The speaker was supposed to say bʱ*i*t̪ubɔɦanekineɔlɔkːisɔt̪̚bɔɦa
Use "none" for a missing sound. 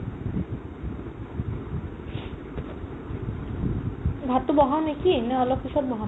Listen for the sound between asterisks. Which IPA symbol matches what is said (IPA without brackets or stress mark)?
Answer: a